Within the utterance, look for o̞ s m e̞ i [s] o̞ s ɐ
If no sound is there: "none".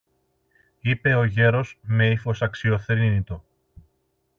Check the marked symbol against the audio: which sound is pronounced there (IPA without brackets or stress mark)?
f